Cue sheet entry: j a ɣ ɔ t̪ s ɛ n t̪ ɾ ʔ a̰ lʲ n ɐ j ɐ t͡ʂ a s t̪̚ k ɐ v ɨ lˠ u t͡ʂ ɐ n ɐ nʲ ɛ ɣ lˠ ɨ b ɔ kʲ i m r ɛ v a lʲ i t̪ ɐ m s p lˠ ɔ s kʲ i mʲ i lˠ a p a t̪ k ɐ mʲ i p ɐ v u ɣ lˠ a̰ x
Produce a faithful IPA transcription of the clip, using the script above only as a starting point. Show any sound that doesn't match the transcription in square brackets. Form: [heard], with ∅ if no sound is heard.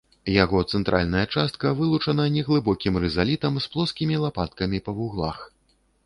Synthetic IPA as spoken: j a ɣ ɔ t̪ s ɛ n t̪ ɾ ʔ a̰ lʲ n ɐ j ɐ t͡ʂ a s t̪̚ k ɐ v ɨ lˠ u t͡ʂ ɐ n ɐ nʲ ɛ ɣ lˠ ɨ b ɔ kʲ i m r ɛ [z] a lʲ i t̪ ɐ m s p lˠ ɔ s kʲ i mʲ i lˠ a p a t̪ k ɐ mʲ i p ɐ v u ɣ lˠ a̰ x